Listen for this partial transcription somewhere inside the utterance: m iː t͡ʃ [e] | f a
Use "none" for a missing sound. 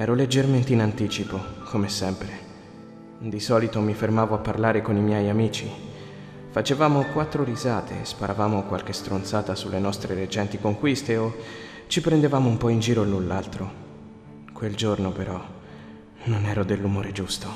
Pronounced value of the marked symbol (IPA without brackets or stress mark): i